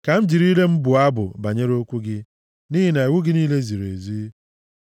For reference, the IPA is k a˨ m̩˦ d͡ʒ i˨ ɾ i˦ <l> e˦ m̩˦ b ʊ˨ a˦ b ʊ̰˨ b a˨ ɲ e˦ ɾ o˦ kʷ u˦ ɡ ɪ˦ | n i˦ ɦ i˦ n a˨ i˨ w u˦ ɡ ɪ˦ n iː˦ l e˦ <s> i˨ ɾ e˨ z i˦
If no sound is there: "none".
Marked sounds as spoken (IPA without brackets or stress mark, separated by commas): l, z